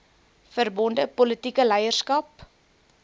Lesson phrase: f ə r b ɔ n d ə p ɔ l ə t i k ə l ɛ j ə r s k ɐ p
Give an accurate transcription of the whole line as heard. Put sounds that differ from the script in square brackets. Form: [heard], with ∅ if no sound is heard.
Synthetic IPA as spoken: f ə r b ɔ n d ə p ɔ l ə t i k ə l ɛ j ə r s k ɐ p